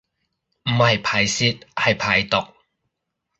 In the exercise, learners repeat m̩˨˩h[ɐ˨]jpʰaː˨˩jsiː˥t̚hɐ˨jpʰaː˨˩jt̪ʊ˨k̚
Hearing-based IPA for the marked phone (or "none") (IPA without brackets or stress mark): ɐ˨